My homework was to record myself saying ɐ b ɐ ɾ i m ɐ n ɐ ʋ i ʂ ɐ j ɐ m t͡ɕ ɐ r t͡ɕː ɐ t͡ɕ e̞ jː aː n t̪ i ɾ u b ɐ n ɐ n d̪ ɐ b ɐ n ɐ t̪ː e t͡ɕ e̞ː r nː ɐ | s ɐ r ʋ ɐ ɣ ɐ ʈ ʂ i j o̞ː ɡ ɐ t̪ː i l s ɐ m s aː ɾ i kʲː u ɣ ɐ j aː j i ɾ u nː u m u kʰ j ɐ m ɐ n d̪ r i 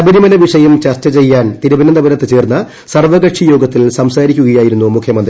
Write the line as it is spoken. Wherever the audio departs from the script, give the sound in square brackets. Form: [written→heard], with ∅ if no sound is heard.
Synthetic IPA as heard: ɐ b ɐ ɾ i m ɐ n ɐ ʋ i ʂ ɐ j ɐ m t͡ɕ ɐ r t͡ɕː ɐ t͡ɕ e̞ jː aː n t̪ i ɾ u b ɐ n ɐ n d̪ ɐ b ɐ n ɐ t̪ː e t͡ɕ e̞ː r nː ɐ | s ɐ r ʋ ɐ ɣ ɐ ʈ ʂ i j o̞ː ɡ ɐ t̪ː i l s ɐ m s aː ɾ i kʲː u ɣ ɐ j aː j i ɾ u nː u m u kʰ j ɐ m ɐ n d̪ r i